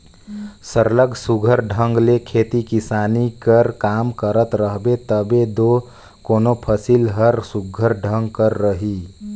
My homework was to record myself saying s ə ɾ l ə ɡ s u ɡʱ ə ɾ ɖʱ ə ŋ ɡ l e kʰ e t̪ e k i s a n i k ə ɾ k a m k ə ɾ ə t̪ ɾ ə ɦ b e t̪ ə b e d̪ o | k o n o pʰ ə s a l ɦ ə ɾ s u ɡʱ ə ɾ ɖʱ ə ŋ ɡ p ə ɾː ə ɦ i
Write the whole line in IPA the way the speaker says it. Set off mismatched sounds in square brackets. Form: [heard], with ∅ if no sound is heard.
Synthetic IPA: s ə ɾ l ə ɡ s u ɡʱ ə ɾ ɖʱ ə ŋ ɡ l e kʰ e t̪ [i] k i s a n i k ə ɾ k a m k ə ɾ ə t̪ ɾ ə ɦ b e t̪ ə b e d̪ o | k o n o pʰ ə s [i] l ɦ ə ɾ s u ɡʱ ə ɾ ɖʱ ə ŋ ɡ [k] ə ɾː ə ɦ i